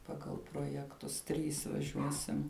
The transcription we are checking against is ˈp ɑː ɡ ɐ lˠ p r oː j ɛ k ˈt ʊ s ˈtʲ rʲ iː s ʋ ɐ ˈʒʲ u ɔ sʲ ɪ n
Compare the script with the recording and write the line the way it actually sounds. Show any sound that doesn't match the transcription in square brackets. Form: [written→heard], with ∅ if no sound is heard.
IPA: ˈp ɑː ɡ ɐ lˠ p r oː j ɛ k ˈt ʊ s ˈtʲ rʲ iː s ʋ ɐ ˈʒʲ u ɔ sʲ ɪ [n→m]

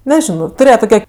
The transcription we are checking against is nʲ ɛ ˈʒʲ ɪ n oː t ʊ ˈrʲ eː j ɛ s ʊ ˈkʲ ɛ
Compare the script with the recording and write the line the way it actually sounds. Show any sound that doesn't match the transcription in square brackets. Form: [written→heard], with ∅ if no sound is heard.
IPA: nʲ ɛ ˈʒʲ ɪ n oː t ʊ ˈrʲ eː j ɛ [s→t] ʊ ˈkʲ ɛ

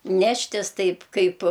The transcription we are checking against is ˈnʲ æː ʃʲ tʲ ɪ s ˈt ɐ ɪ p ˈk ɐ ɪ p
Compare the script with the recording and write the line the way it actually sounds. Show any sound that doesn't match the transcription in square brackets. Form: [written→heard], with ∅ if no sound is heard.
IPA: ˈnʲ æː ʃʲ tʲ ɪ s ˈt ɐ ɪ p ˈk ɐ ɪ p

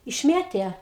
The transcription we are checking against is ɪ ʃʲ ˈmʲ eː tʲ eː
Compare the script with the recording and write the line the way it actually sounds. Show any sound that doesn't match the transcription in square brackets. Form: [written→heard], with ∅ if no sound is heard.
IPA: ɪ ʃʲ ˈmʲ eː tʲ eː

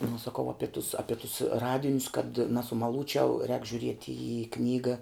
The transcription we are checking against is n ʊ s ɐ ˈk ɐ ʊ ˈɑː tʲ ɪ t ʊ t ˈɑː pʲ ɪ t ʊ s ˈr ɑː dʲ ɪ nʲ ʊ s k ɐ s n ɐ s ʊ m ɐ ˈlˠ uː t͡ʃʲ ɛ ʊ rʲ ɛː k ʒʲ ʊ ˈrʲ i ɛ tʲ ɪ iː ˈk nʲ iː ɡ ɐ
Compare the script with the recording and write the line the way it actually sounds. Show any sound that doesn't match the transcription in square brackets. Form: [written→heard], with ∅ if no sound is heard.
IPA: n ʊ s ɐ ˈk ɐ ʊ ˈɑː [tʲ→pʲ] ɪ t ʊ [t→s] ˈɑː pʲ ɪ t ʊ s ˈr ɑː dʲ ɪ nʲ ʊ s k ɐ [s→t] n ɐ s ʊ m ɐ ˈlˠ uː t͡ʃʲ ɛ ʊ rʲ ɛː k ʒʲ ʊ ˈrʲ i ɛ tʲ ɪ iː ˈk nʲ iː ɡ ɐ

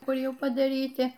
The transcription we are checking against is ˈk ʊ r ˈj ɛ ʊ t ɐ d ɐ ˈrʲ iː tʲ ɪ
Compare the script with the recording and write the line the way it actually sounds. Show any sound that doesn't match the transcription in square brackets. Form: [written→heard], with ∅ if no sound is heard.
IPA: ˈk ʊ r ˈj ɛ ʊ [t→p] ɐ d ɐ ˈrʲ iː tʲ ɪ

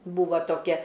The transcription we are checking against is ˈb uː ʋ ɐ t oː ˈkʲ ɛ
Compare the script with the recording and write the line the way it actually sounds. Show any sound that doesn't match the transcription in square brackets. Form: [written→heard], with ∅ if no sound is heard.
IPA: ˈb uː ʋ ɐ t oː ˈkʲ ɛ

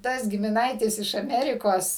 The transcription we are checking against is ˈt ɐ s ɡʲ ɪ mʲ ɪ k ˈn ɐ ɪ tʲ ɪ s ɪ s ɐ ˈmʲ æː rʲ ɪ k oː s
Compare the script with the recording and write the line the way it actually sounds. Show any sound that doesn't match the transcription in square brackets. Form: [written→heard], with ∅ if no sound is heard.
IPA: ˈt ɐ s ɡʲ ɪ mʲ ɪ [k→∅] ˈn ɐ ɪ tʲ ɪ s ɪ [s→ʃ] ɐ ˈmʲ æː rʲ ɪ k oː s

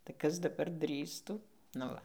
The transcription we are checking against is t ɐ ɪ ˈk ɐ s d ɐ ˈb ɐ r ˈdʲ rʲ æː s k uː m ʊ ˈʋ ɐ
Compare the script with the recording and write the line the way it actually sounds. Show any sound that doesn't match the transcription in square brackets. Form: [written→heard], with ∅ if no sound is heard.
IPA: t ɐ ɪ ˈk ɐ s d ɐ ˈb ɐ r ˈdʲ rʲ [æː→iː] s [k→t] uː [m→n] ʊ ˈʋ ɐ

